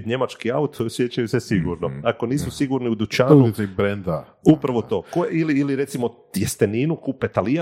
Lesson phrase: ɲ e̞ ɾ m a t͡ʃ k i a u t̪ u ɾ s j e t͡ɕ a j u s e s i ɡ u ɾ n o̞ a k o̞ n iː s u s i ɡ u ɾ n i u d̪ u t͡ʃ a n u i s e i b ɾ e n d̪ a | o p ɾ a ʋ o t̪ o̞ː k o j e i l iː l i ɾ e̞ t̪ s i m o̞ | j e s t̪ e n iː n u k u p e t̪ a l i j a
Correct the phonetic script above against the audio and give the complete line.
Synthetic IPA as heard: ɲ e̞ m a t͡ʃ k i a u t̪ o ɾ s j e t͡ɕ a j u s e s i ɡ u ɾ n o̞ a k o̞ n iː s u s i ɡ u ɾ n i u d̪ u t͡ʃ a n u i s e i b ɾ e n d̪ a | u p ɾ a ʋ o t̪ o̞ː k o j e i l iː l i ɾ e̞ t̪ s i m o̞ | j e s t̪ e n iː n u k u p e t̪ a l i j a